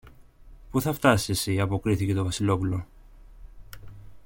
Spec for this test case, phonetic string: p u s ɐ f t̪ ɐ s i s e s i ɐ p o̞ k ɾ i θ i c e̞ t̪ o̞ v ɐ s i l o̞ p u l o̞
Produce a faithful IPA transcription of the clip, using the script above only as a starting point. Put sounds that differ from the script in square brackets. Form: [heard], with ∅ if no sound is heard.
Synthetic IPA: p u [θ] ɐ f t̪ ɐ s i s e s i ɐ p o̞ k ɾ i θ i c e̞ t̪ o̞ v ɐ s i l o̞ p u l o̞